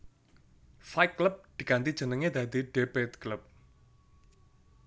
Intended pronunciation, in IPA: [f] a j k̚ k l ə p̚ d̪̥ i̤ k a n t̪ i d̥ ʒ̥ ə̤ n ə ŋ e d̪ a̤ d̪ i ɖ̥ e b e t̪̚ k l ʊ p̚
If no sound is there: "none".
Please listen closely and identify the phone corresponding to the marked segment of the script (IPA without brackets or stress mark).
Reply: f